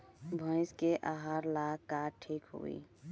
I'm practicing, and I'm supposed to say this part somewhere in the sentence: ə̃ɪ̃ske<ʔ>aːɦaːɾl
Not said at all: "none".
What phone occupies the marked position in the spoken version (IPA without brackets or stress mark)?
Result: ʔ